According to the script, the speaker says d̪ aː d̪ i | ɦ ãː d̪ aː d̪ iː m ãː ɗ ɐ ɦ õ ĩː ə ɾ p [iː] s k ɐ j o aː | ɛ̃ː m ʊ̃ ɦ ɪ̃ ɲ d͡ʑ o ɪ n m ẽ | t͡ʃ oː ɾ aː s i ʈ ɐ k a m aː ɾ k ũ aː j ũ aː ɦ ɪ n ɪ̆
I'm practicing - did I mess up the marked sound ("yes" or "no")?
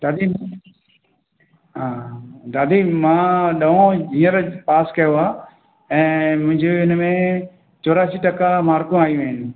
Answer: yes